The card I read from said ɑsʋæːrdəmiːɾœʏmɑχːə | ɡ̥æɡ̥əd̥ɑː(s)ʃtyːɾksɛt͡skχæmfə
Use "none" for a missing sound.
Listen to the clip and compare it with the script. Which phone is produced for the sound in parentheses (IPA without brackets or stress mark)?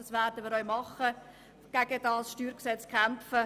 s